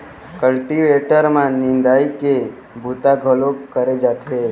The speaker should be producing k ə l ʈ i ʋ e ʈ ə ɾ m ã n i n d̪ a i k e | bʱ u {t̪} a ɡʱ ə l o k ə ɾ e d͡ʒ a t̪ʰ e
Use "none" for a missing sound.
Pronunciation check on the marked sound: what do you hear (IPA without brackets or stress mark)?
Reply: t̪